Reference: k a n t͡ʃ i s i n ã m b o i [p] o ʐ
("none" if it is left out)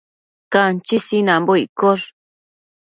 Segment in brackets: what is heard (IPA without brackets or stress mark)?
k